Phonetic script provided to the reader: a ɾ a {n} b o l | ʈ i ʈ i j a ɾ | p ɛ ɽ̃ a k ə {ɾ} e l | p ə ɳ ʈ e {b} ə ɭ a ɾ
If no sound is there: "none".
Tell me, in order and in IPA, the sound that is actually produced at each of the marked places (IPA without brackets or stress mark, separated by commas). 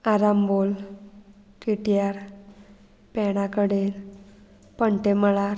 m, ɽ, m